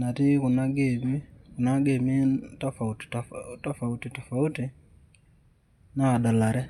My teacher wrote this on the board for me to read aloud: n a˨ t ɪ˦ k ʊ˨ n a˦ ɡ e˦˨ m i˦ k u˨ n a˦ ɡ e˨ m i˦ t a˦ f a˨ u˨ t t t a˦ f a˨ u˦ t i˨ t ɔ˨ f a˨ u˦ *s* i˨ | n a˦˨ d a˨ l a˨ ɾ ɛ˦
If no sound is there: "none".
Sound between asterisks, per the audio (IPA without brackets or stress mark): t